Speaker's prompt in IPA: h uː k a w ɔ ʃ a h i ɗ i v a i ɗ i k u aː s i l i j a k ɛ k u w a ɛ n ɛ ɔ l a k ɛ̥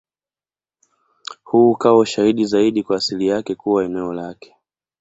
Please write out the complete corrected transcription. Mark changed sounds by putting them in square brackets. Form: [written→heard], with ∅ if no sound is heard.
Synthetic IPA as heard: h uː k a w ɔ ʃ a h i ɗ i [v→z] a i ɗ i k [u→w] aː s i l i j a k ɛ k u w a ɛ n ɛ ɔ l a k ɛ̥